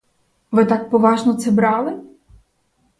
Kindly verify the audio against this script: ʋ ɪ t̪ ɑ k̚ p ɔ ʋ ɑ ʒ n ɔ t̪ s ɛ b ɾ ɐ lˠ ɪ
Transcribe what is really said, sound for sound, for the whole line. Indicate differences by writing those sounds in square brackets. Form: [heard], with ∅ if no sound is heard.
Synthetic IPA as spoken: ʋ ɪ t̪ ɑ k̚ p ɔ ʋ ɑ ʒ n ɔ t̪ s ɛ b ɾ [ɑ] lˠ ɪ

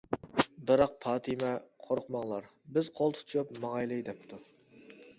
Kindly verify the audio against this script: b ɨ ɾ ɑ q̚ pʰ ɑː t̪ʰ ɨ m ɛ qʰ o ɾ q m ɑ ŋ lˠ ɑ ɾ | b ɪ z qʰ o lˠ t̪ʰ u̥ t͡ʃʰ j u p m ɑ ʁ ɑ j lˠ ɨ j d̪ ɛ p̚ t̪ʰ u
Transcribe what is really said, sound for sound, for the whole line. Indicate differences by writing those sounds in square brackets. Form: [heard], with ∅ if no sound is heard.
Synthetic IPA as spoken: b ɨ ɾ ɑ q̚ pʰ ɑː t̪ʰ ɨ m ɛ qʰ o ɾ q m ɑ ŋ lˠ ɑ ɾ | b ɪ z qʰ o lˠ t̪ʰ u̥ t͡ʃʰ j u p m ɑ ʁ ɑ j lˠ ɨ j d̪ ɛ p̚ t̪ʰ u

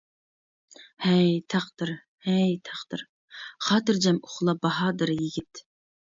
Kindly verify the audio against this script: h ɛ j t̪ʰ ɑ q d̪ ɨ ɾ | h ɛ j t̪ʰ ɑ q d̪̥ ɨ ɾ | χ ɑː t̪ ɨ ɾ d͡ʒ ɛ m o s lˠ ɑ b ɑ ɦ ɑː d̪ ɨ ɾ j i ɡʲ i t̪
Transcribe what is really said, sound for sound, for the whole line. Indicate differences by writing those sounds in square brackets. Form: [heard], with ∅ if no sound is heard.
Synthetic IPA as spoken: h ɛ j t̪ʰ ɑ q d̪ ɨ ɾ | h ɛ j t̪ʰ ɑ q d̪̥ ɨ ɾ | χ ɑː t̪ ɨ ɾ d͡ʒ ɛ m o [χ] lˠ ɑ b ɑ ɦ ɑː d̪ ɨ ɾ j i ɡʲ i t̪

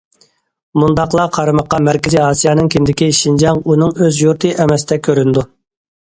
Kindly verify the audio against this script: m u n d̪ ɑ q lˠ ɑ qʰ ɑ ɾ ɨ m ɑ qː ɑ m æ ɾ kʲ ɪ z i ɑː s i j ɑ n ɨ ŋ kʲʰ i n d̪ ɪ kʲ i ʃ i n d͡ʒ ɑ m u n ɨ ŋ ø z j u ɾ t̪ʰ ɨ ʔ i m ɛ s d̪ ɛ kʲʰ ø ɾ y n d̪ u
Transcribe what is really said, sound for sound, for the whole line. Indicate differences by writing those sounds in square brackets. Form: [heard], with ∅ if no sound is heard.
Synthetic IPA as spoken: m u n d̪ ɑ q lˠ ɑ qʰ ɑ ɾ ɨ m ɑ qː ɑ m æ ɾ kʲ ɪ z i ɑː s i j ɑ n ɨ ŋ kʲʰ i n d̪ ɪ kʲ i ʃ i n d͡ʒ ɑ [ŋ] u n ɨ ŋ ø z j u ɾ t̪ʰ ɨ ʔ [ɛ] m ɛ s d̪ ɛ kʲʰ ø ɾ y n d̪ u

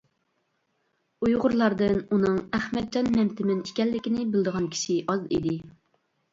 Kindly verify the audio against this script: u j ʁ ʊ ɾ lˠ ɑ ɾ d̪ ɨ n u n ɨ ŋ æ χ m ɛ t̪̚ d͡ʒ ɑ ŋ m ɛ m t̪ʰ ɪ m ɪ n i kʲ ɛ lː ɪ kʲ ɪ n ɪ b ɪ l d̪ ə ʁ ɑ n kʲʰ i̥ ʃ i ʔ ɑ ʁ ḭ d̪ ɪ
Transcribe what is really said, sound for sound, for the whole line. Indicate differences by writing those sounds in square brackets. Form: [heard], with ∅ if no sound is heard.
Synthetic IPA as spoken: u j ʁ ʊ ɾ lˠ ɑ ɾ d̪ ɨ n u n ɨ ŋ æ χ m ɛ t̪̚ d͡ʒ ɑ [n] m ɛ m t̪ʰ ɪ m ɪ n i kʲ ɛ lː ɪ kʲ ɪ n ɪ b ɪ l d̪ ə ʁ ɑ n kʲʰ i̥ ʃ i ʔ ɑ [z] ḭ d̪ ɪ

